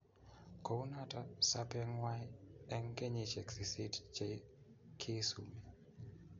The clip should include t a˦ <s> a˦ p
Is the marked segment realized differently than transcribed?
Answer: no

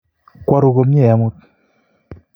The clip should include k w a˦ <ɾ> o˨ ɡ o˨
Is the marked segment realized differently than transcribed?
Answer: no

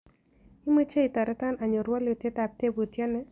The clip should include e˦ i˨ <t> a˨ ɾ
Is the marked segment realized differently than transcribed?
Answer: no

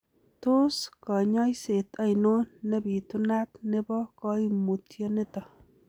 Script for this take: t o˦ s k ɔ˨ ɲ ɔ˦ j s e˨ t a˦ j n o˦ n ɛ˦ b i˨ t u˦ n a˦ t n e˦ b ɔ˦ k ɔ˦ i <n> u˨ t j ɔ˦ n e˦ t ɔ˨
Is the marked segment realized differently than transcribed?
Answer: yes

